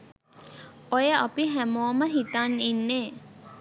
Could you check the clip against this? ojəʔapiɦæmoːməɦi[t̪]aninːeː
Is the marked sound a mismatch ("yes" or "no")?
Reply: no